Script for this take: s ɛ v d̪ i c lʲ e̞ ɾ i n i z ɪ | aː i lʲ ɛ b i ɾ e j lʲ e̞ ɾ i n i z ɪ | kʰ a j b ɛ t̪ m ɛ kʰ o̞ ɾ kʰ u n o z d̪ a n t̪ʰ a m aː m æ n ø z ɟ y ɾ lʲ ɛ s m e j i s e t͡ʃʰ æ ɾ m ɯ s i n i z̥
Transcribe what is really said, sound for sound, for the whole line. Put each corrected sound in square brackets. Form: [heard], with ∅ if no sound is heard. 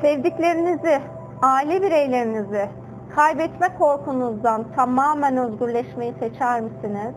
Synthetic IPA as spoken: s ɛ v d̪ i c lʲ e̞ ɾ i n i z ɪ | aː i lʲ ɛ b i ɾ e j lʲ e̞ ɾ i n i z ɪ | kʰ a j b ɛ t̪ m ɛ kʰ o̞ ɾ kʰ u n [u] z d̪ a n t̪ʰ a m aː m æ n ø z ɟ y ɾ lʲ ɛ [ʃ] m e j i s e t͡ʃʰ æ ɾ m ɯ s i n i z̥